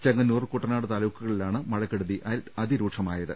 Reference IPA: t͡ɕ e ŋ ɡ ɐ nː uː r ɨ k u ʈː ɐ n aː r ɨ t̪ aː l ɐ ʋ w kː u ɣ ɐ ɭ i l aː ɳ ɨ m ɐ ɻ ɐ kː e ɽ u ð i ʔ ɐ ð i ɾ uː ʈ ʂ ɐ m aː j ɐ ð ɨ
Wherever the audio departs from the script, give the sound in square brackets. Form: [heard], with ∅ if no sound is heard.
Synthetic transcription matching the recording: t͡ɕ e ŋ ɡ ɐ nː uː r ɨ k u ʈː ɐ n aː [ɽ] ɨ t̪ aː l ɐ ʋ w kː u ɣ ɐ ɭ i l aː ɳ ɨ m ɐ ɻ ɐ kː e ɽ u ð i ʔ ɐ ð i ɾ uː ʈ ʂ ɐ m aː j ɐ ð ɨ